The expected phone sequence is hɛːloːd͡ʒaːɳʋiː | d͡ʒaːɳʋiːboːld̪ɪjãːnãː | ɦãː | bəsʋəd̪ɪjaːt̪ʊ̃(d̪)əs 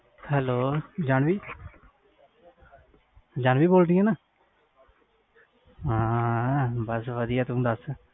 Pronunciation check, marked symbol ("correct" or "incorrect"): correct